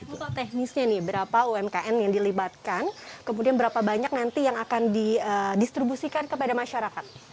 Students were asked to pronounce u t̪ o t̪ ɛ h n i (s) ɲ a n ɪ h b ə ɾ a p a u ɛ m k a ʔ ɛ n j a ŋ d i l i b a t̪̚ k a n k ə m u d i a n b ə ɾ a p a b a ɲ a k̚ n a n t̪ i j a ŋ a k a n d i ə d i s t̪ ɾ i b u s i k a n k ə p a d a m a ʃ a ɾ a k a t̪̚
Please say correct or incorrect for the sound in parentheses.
correct